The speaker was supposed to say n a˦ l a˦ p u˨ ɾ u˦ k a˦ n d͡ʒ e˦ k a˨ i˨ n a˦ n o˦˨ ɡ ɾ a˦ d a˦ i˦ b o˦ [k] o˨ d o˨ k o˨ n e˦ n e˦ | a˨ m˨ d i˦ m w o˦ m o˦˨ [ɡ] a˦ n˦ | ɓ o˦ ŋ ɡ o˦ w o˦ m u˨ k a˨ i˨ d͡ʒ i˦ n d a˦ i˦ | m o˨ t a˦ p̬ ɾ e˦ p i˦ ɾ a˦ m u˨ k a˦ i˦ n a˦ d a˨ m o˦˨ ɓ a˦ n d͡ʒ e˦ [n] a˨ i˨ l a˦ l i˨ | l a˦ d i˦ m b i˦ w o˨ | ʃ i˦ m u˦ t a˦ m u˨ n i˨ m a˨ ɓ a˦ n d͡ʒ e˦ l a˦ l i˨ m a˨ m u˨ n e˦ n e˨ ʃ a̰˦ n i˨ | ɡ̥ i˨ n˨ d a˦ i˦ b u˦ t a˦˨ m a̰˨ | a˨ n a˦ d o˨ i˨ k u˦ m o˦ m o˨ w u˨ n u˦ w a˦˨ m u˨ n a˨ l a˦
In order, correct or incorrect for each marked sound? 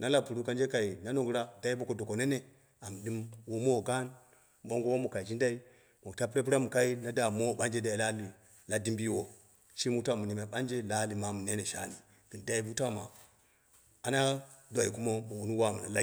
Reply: correct, correct, incorrect

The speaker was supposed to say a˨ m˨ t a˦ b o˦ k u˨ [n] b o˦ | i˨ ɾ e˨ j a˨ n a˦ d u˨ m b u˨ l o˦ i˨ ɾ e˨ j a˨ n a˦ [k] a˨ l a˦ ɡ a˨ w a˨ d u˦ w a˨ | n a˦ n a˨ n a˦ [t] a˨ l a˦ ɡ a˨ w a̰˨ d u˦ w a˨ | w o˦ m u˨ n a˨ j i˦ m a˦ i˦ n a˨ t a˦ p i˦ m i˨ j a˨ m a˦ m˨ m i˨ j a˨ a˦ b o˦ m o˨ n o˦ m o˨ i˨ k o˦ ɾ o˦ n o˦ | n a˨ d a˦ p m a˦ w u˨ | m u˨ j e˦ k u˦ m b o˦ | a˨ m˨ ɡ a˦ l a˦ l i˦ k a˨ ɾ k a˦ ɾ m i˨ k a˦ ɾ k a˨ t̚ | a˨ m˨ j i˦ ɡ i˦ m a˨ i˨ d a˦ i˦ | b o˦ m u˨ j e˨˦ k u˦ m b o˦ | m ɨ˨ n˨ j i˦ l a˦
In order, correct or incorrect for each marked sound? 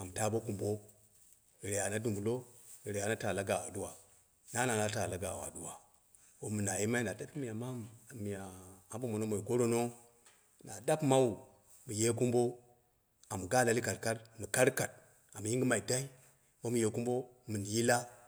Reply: incorrect, incorrect, correct

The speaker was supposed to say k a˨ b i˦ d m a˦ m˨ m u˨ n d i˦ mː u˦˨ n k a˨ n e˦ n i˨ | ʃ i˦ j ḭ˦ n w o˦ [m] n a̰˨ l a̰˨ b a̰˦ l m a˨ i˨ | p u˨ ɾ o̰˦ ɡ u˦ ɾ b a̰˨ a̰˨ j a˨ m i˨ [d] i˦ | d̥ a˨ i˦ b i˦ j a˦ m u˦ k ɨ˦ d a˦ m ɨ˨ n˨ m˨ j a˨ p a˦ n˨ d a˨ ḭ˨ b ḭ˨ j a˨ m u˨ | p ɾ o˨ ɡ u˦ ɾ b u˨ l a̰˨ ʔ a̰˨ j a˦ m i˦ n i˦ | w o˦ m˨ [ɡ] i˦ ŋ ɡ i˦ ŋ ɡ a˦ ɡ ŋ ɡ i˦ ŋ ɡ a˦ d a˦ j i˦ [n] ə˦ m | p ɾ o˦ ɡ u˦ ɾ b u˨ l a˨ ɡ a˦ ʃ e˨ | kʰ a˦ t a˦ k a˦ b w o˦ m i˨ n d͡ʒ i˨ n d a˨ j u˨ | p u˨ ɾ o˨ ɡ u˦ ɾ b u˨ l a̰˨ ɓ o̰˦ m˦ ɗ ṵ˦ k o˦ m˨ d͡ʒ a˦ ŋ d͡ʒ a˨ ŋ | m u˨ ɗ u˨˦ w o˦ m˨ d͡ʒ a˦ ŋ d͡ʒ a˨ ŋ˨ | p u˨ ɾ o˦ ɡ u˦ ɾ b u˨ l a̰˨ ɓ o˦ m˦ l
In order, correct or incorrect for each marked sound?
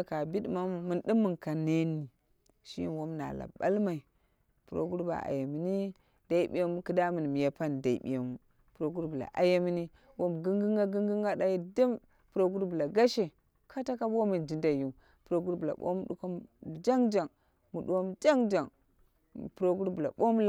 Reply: correct, incorrect, correct, incorrect

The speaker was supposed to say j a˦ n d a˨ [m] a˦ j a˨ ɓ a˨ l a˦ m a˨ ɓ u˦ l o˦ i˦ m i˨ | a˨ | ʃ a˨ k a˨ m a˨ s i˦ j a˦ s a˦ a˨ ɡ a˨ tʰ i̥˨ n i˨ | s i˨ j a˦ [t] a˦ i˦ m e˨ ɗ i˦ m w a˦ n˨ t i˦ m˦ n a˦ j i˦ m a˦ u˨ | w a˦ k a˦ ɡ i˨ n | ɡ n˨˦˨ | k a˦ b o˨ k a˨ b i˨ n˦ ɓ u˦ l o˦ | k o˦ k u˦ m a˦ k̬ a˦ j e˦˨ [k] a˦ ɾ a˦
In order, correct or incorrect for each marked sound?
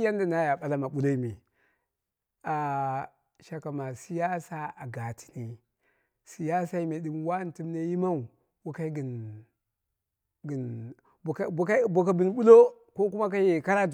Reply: incorrect, incorrect, correct

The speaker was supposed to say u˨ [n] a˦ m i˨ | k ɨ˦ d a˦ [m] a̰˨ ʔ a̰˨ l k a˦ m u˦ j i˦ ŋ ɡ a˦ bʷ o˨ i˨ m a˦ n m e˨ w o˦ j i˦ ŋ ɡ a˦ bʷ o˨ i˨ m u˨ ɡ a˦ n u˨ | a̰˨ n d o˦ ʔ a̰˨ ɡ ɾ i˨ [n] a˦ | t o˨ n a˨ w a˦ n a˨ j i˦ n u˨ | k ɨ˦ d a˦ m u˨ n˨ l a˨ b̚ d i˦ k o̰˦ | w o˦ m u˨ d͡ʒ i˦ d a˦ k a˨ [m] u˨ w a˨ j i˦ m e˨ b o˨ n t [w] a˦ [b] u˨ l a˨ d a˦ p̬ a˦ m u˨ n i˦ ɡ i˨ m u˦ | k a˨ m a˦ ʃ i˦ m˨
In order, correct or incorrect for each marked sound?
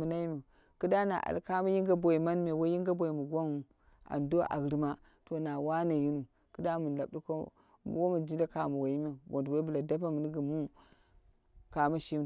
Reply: correct, incorrect, incorrect, correct, correct, correct

